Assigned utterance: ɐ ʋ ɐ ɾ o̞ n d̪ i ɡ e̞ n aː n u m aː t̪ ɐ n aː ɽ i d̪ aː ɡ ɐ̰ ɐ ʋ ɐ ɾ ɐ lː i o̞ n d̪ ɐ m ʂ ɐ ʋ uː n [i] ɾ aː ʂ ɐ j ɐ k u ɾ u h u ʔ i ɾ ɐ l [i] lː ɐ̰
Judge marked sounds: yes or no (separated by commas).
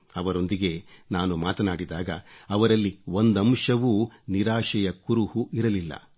yes, yes